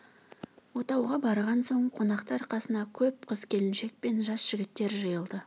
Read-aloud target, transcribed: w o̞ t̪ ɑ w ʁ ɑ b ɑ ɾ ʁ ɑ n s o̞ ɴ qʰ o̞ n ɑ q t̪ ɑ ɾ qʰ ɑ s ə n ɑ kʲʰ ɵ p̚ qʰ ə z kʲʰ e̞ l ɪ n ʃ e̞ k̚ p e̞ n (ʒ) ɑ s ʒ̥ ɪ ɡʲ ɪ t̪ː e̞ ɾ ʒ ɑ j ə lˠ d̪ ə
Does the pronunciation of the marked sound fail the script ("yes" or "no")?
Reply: no